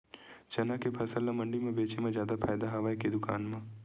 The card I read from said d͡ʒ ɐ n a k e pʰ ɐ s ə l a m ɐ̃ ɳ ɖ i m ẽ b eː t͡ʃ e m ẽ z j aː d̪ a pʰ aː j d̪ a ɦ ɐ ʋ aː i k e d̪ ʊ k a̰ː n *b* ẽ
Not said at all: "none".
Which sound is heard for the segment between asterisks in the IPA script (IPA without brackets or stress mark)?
m